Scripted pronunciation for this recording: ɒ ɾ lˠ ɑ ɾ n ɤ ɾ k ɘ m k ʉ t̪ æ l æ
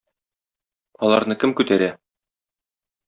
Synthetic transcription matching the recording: ɒ lˠ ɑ ɾ n ɤ k ɘ m k ʉ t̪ æ ɾ æ